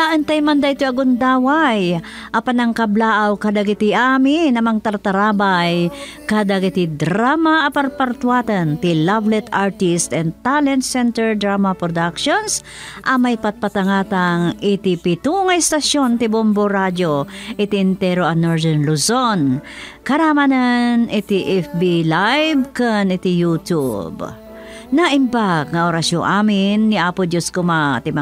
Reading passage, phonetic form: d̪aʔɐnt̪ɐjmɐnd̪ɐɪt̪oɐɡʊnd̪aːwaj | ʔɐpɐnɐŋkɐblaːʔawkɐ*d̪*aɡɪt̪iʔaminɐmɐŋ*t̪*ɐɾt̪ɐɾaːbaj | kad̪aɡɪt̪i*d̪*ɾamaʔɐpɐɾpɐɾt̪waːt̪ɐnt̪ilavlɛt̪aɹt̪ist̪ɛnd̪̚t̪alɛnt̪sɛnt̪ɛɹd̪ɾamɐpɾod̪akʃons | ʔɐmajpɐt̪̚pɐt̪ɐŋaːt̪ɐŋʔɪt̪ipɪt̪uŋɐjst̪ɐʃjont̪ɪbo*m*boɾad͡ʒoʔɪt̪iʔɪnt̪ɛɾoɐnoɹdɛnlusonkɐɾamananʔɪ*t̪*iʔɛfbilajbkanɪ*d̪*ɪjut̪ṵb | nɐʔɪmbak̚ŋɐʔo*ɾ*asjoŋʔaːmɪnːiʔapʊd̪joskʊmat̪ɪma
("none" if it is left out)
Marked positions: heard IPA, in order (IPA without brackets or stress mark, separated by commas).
d̪, t̪, d̪, m, t̪, t̪, ɾ